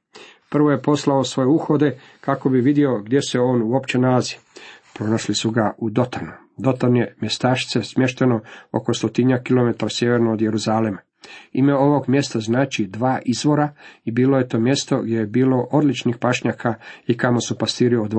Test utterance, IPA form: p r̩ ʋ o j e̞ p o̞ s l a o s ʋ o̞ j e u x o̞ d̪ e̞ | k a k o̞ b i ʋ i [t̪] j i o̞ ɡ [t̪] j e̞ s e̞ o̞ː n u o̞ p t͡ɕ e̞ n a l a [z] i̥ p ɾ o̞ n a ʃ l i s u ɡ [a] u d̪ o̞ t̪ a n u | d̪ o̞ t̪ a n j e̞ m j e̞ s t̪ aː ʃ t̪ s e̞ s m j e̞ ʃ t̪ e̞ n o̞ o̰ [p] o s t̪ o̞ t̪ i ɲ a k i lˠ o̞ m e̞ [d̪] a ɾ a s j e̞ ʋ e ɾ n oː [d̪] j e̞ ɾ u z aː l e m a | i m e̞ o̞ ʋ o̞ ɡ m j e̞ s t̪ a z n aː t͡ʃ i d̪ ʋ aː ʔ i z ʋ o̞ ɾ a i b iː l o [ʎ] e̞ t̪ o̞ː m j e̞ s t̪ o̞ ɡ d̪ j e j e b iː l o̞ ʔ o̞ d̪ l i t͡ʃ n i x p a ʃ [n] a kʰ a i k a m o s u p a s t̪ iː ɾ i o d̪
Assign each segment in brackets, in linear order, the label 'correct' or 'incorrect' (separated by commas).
incorrect, incorrect, correct, correct, incorrect, incorrect, correct, incorrect, incorrect